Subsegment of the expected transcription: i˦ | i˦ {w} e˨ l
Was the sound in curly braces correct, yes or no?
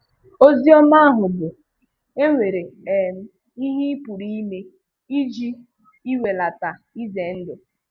yes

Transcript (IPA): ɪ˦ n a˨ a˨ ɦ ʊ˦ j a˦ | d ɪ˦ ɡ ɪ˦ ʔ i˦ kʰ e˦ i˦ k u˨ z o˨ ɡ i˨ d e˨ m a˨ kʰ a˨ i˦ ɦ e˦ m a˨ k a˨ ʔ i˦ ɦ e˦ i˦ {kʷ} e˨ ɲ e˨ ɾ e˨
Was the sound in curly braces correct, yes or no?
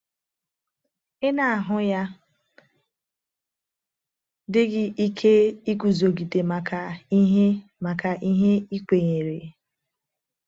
yes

